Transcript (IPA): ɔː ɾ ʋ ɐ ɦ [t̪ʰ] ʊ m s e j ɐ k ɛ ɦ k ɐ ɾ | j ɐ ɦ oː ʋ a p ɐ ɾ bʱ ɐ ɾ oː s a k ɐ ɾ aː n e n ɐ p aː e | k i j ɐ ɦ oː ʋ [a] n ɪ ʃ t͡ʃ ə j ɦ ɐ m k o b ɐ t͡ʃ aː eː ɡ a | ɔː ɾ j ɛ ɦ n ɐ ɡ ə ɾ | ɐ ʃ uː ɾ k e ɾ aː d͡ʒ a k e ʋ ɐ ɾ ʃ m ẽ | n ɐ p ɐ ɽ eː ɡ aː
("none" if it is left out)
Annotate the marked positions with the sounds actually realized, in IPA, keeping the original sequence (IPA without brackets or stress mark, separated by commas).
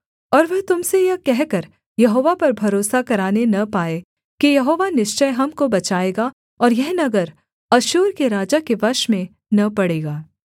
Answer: t̪, a